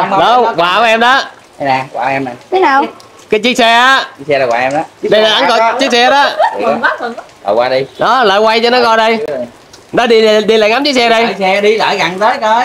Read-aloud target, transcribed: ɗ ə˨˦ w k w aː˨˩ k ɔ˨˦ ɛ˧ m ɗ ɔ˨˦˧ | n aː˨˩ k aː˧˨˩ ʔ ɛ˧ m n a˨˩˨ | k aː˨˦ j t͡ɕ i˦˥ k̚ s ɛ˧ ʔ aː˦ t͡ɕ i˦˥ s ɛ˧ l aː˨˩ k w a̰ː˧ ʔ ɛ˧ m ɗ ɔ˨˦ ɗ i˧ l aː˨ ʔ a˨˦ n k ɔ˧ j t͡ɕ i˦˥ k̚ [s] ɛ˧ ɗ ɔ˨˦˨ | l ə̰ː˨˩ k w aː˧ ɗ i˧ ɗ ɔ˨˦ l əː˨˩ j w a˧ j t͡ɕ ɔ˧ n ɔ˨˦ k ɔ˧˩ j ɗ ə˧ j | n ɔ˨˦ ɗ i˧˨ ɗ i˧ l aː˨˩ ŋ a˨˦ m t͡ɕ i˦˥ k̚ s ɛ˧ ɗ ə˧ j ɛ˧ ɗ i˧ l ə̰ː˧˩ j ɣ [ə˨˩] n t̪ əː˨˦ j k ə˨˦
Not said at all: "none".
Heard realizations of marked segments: s, a˨˩

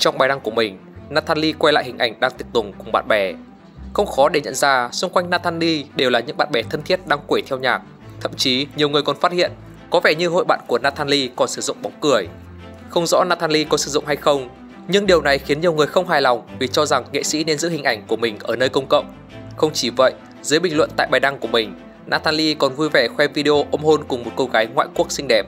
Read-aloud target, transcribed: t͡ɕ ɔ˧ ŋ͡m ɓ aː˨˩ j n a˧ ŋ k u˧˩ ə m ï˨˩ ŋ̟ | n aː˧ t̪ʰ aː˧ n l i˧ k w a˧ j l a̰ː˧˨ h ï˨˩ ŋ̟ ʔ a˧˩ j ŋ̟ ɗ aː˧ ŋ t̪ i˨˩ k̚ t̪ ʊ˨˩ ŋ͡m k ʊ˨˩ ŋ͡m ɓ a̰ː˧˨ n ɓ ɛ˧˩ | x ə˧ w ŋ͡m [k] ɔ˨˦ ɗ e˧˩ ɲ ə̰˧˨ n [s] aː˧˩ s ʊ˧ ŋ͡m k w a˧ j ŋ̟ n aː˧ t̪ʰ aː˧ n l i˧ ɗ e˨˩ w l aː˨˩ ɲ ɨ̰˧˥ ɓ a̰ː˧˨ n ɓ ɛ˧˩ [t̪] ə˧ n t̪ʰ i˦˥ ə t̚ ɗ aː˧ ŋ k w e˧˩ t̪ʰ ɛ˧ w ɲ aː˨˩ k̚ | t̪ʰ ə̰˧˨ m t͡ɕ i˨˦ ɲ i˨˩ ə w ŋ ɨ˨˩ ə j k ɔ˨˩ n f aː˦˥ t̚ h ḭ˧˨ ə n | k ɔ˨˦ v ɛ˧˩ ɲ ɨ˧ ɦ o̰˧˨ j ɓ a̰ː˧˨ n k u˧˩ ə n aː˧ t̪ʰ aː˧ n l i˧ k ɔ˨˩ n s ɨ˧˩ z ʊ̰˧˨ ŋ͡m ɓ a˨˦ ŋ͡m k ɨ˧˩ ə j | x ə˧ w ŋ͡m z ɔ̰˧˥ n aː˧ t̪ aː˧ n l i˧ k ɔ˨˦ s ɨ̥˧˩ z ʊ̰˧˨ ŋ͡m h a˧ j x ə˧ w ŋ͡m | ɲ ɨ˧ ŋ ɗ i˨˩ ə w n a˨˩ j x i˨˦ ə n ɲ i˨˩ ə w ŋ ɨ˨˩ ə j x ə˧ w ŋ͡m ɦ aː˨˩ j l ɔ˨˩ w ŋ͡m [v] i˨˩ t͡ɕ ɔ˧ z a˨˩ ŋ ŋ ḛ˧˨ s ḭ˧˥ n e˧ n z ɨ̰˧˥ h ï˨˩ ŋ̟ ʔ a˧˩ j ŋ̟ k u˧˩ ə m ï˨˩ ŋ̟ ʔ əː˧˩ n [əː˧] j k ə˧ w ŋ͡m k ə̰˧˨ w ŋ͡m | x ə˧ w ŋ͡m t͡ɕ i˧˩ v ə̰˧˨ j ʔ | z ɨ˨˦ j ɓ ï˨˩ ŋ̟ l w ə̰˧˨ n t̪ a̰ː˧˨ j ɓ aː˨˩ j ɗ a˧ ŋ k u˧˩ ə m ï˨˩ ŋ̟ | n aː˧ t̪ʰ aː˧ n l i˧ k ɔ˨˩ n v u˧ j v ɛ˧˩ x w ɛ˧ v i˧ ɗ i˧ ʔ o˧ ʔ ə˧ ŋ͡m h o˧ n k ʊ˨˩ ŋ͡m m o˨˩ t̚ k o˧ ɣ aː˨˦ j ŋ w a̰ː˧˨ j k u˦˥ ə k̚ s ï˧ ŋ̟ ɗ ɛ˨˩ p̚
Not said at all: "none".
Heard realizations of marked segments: x, z, t̪ʰ, v, əː˧

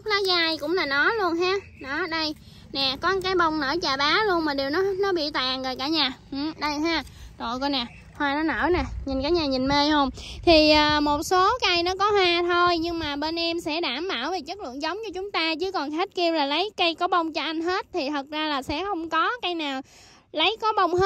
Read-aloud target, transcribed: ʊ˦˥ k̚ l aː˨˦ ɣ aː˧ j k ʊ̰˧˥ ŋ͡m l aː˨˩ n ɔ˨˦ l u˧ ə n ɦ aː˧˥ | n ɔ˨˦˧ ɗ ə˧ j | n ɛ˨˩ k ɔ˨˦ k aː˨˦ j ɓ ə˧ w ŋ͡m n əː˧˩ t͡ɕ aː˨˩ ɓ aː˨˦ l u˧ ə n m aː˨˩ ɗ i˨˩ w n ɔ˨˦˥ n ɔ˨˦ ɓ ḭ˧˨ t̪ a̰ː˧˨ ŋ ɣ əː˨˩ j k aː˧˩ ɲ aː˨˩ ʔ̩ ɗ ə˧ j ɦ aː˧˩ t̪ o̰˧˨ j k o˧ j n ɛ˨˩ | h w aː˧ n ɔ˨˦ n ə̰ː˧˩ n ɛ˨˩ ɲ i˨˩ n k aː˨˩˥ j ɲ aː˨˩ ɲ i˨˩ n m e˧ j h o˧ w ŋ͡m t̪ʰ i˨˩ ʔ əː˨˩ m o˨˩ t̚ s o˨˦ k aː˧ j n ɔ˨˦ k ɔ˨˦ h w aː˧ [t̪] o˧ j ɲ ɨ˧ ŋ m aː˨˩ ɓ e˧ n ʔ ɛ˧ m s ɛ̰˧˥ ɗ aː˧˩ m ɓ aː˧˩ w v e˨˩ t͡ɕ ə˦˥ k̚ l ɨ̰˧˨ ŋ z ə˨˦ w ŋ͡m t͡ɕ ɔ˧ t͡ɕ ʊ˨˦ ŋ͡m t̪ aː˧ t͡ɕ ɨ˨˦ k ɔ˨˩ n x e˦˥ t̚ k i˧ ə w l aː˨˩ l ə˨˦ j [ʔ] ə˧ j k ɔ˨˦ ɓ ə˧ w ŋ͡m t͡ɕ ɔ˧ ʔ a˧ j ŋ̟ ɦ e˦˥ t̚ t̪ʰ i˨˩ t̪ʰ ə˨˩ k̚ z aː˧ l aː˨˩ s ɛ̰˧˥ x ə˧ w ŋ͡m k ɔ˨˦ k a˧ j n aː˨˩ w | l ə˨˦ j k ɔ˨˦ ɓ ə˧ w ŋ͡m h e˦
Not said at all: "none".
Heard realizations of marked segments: t̪ʰ, k

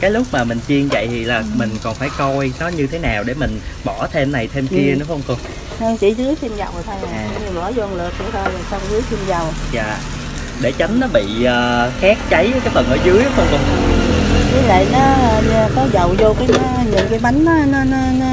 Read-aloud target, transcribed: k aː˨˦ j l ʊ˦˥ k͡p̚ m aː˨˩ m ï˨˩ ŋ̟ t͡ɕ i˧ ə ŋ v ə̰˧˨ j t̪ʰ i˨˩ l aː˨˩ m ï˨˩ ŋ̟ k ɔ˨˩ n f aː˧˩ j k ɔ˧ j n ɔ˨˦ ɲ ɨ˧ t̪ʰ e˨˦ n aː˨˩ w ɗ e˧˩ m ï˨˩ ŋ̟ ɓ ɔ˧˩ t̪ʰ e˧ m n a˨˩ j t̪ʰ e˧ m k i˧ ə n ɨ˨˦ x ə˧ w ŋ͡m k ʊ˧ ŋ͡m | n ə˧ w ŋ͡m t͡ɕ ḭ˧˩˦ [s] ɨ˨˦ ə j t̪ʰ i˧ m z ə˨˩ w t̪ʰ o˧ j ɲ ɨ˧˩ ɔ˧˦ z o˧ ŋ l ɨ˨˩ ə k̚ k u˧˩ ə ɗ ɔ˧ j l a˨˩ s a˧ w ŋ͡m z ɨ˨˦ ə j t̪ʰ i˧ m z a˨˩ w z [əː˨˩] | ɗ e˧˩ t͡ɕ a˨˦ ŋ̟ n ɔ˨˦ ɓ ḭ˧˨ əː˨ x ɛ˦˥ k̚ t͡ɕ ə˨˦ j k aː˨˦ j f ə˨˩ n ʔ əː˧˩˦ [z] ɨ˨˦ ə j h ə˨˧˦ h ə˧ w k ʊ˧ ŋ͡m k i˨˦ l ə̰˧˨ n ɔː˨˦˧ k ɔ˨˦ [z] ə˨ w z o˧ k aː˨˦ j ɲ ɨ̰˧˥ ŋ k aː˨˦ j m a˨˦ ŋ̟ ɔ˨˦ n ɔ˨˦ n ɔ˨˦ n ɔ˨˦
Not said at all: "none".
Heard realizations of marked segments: z, aː˨˩, z, z

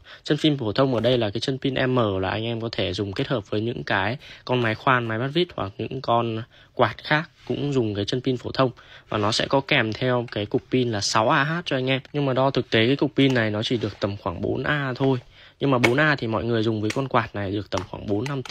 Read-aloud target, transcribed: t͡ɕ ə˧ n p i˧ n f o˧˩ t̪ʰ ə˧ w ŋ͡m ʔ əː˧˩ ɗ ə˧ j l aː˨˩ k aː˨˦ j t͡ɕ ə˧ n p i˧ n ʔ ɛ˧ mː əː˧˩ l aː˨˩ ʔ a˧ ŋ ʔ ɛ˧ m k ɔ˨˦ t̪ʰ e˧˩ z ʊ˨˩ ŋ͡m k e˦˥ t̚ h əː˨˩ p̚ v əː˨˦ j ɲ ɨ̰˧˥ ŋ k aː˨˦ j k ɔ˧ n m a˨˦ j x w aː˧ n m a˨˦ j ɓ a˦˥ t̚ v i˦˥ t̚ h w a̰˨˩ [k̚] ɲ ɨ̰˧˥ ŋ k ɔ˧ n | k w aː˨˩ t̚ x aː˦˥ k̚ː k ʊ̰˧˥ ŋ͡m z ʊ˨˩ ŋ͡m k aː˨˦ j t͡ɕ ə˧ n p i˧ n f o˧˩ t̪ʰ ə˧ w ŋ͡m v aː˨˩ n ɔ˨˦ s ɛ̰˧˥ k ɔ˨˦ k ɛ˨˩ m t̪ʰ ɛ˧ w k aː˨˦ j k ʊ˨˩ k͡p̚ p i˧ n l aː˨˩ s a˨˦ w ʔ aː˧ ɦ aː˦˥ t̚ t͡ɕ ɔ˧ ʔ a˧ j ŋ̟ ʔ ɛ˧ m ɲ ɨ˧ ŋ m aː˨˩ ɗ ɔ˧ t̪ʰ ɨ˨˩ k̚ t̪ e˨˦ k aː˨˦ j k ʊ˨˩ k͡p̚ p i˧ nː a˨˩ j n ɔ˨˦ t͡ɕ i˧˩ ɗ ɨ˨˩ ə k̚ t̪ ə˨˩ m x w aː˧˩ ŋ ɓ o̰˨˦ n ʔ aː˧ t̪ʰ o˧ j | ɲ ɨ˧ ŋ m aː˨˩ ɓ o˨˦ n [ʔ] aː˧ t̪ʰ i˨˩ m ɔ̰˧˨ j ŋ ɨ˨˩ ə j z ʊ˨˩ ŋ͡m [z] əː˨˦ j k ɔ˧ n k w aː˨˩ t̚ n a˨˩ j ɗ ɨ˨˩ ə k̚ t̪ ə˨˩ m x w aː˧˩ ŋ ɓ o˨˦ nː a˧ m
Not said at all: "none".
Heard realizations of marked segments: k̚, ʔ, v

